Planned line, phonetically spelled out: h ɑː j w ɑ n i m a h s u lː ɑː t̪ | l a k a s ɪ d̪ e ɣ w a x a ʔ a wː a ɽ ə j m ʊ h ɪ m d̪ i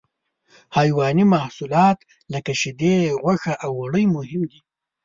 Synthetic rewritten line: h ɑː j w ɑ n i m a h s u l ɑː t̪ | l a k a ʃ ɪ d̪ e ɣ w a x a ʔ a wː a ɽ ə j m ʊ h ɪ m d̪ i